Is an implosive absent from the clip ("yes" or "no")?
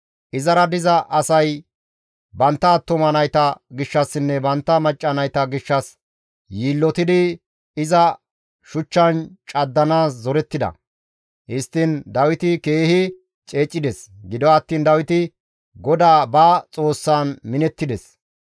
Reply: yes